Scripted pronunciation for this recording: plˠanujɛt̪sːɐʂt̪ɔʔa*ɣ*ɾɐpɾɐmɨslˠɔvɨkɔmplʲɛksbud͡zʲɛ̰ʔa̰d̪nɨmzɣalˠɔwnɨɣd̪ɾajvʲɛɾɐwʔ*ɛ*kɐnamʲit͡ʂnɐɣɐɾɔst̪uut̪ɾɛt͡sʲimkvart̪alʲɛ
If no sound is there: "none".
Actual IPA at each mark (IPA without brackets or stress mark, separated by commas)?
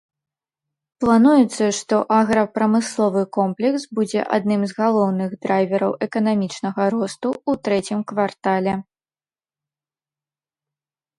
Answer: ɣ, ɛ